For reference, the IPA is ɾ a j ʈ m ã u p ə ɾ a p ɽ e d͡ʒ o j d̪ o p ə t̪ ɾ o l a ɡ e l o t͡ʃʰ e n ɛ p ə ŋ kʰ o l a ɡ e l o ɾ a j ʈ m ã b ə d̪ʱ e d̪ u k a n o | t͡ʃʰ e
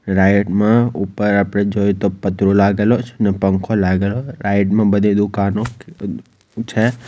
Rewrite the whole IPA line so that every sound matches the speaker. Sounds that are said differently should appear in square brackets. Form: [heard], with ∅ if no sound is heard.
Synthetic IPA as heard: ɾ a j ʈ m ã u p ə ɾ a p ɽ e d͡ʒ o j [t̪] o p ə t̪ ɾ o l a ɡ e l o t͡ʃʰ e n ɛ p ə ŋ kʰ o l a ɡ e l o ɾ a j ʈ m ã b ə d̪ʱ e d̪ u k a n o | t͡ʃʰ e